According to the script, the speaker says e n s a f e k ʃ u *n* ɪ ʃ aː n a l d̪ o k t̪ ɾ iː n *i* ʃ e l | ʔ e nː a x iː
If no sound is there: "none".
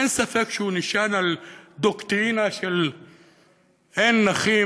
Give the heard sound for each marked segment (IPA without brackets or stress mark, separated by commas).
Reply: n, a